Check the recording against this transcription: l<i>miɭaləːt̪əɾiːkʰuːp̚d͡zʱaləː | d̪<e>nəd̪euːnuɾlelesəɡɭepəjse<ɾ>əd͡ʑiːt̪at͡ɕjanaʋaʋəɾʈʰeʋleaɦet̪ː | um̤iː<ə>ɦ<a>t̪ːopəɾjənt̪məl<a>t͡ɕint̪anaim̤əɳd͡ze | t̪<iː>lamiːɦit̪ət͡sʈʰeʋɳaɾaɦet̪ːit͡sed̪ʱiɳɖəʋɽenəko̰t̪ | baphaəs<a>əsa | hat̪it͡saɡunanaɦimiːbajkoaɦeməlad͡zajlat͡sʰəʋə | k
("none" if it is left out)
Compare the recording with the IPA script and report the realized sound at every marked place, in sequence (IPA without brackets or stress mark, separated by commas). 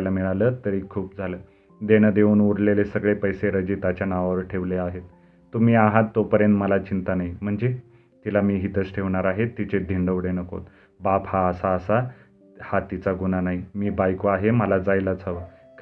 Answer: a, e, ɾ, a, a, a, i, a